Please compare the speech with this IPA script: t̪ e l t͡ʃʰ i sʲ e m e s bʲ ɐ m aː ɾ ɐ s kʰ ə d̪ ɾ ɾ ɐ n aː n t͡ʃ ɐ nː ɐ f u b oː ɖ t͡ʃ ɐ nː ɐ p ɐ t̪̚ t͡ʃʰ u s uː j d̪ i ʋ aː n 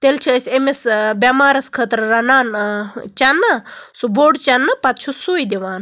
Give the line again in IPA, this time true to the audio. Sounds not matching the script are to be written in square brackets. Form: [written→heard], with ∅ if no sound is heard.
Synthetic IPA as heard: t̪ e l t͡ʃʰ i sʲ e m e s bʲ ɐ m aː ɾ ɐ s kʰ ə [d̪→t̪] ɾ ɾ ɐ n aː n t͡ʃ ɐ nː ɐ [f→s] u b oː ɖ t͡ʃ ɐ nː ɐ p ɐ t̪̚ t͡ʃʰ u s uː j d̪ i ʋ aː n